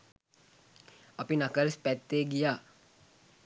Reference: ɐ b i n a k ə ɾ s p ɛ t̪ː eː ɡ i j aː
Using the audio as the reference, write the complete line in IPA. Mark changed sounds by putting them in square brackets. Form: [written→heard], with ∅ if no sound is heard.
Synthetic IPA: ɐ [b→p] i n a k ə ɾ s p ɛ t̪ː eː ɡ i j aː